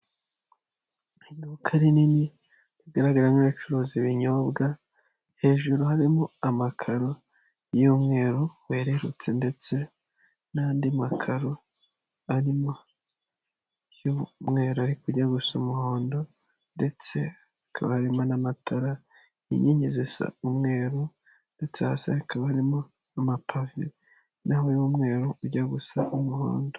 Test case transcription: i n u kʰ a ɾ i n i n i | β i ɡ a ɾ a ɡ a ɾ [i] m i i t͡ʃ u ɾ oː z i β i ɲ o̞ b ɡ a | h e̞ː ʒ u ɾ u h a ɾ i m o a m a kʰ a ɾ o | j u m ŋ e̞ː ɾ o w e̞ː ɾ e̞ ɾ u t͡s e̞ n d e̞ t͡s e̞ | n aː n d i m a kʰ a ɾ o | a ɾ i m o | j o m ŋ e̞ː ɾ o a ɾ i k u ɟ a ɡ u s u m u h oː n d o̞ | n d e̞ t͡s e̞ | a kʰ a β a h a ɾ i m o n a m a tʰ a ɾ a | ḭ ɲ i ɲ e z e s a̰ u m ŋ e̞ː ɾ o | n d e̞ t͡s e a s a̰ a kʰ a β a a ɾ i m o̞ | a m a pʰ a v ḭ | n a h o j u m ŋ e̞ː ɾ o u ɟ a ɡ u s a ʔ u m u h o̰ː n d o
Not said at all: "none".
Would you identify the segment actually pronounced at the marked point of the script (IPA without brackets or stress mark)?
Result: a